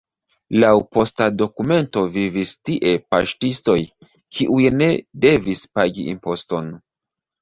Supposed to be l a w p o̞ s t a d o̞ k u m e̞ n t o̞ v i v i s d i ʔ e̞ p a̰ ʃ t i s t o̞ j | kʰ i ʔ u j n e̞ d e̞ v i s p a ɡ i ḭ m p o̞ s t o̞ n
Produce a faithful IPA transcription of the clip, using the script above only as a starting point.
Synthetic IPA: l a w p o̞ s t a d o̞ k u m e̞ n t o̞ v i v i s t i ʔ e̞ p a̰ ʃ t i s t o̞ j | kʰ i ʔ u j n e̞ d e̞ v i s p a ɡ i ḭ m p o̞ s t o̞ n